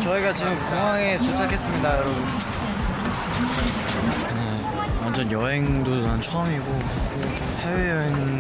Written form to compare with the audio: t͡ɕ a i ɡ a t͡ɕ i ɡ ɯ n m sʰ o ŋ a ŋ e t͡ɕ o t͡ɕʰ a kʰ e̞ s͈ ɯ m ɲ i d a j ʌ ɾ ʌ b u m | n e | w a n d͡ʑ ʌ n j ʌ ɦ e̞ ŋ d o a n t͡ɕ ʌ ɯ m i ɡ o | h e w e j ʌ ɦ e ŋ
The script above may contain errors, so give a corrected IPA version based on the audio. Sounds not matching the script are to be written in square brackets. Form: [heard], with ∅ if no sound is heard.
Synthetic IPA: t͡ɕ [ʌ] i ɡ a t͡ɕ i ɡ ɯ [∅] m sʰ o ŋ a ŋ e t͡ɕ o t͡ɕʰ a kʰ e̞ s͈ ɯ m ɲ i d a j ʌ ɾ ʌ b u [n] | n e | w a n d͡ʑ ʌ n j ʌ ɦ e̞ ŋ d o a n [t͡ɕʰ] ʌ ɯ m i ɡ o | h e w e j ʌ ɦ e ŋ